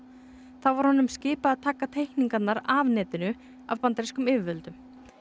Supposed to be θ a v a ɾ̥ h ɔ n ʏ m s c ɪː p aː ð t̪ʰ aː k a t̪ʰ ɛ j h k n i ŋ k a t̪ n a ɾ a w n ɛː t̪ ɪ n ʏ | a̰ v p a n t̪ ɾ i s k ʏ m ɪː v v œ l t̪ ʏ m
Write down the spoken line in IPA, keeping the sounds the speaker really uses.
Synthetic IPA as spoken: θ a v a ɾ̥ h ɔ n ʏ m s c ɪː p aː ð t̪ʰ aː k a t̪ʰ e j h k n i ŋ k a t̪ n a ɾ a v n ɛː t̪ ɪ n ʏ | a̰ v p a n t̪ ɾ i s k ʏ m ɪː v v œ l t̪ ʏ m